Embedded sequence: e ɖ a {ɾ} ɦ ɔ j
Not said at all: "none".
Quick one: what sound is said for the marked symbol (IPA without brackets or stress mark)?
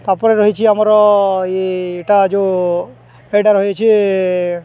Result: ɾ